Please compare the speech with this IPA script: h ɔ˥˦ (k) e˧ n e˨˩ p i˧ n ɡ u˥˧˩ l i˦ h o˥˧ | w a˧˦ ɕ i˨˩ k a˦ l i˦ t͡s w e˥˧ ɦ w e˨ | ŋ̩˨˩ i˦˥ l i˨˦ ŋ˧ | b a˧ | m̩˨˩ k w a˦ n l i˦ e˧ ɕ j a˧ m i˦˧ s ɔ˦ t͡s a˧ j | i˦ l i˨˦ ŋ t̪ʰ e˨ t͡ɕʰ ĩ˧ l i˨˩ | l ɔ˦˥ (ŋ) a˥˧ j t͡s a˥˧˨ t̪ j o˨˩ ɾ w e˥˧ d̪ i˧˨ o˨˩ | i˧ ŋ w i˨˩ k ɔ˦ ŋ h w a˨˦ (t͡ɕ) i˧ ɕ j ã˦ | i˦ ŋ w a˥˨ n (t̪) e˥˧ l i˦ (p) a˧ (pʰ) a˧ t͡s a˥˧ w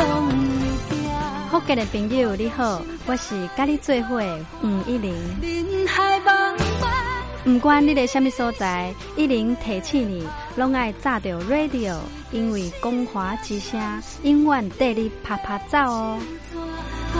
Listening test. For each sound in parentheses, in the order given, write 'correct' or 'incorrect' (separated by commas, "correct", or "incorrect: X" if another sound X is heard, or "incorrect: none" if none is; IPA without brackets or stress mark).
correct, correct, correct, correct, incorrect: pʰ, correct